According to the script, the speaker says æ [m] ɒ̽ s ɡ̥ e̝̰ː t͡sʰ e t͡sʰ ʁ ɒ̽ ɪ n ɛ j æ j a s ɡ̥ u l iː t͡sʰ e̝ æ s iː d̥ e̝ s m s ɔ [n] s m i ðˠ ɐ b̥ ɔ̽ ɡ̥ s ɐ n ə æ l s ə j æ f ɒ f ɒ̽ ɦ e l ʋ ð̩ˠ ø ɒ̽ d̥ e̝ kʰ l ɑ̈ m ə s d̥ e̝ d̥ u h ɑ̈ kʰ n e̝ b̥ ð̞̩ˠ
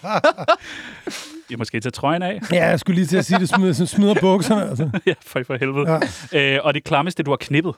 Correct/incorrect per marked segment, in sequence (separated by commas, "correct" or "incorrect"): correct, correct